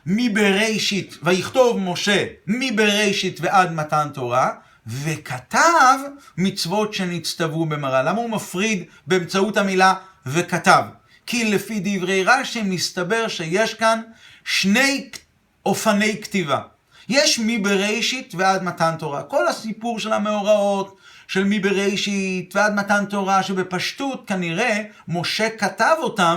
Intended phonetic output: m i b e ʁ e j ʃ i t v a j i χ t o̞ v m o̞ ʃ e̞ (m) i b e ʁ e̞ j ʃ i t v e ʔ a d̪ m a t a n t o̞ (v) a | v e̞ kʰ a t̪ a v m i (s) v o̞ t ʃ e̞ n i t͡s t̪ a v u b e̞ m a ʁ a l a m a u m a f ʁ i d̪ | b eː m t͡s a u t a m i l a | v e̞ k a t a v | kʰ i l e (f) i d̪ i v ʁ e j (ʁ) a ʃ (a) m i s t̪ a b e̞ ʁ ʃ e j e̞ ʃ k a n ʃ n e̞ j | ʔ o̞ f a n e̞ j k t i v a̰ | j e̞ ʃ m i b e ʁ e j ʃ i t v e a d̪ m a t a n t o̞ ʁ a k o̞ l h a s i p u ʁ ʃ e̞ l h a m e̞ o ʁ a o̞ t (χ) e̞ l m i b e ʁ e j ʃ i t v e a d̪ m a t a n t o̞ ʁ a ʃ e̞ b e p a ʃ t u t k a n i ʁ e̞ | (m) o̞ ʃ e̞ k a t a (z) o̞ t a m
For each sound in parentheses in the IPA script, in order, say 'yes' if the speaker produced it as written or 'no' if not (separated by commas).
yes, no, no, yes, yes, no, no, yes, no